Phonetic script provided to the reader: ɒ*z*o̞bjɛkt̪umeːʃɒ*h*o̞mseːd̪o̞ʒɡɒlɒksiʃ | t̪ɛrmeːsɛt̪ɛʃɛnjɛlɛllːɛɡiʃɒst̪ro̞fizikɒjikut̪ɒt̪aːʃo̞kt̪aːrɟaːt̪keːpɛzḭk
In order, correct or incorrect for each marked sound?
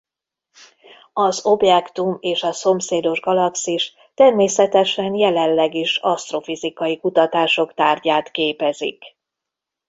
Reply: correct, incorrect: s

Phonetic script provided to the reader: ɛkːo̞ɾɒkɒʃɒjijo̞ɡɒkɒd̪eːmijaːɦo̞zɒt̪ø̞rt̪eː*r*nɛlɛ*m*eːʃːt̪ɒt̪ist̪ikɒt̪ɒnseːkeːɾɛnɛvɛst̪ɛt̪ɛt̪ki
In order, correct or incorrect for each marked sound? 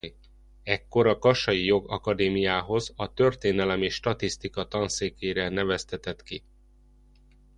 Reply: incorrect: none, correct

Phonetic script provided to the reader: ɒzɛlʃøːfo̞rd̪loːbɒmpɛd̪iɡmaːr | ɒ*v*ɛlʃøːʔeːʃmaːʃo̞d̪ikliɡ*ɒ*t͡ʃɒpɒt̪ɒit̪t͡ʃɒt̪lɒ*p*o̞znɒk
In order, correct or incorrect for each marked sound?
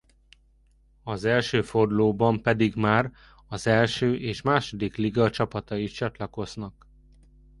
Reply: incorrect: z, correct, incorrect: k

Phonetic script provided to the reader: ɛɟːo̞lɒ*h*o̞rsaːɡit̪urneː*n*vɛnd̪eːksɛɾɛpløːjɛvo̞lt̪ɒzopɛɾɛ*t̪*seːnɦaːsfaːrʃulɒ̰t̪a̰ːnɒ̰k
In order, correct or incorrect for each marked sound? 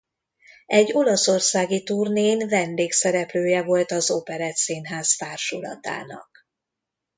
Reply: incorrect: s, correct, correct

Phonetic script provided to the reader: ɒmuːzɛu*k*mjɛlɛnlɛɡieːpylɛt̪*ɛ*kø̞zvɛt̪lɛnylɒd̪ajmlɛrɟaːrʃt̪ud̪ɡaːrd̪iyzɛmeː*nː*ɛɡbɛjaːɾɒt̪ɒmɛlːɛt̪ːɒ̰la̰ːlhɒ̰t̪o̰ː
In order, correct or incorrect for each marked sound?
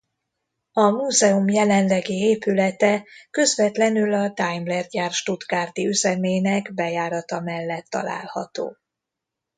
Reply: incorrect: none, correct, incorrect: n

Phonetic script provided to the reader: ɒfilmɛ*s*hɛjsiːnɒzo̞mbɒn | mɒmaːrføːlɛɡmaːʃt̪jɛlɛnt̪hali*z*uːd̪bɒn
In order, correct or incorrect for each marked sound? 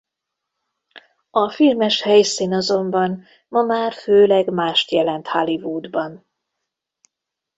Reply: incorrect: ʃ, incorrect: v

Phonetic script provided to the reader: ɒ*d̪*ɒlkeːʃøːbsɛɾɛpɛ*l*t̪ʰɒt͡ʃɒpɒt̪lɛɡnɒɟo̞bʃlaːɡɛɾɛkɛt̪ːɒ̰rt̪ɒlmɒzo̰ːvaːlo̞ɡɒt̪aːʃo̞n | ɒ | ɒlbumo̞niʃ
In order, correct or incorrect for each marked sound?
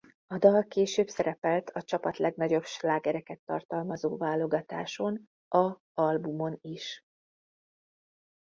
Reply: correct, correct

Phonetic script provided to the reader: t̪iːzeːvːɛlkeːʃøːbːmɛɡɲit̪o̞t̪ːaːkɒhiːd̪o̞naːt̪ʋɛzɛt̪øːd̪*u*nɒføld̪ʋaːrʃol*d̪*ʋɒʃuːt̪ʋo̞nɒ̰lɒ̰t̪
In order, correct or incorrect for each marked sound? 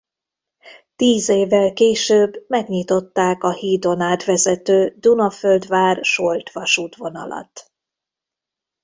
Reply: correct, incorrect: t̪

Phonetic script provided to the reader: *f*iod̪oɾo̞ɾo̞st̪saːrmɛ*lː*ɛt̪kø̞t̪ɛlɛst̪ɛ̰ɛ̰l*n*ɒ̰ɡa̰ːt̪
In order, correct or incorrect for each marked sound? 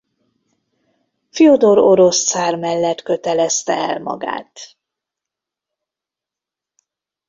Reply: correct, correct, incorrect: m

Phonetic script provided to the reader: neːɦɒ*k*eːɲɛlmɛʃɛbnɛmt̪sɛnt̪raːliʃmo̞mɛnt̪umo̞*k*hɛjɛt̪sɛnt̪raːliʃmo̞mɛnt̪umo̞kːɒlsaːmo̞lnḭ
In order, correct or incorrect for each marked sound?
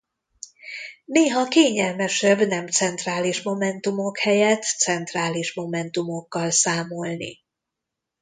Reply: correct, correct

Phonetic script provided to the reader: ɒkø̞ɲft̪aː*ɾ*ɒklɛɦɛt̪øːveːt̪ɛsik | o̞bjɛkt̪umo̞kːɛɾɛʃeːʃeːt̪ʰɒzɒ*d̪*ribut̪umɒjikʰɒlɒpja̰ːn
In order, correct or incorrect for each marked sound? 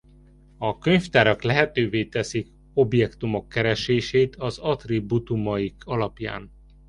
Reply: correct, incorrect: t̪

